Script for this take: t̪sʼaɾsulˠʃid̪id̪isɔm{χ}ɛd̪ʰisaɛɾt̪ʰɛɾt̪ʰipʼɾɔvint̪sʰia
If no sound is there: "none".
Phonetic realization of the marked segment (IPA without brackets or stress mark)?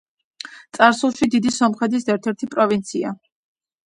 χ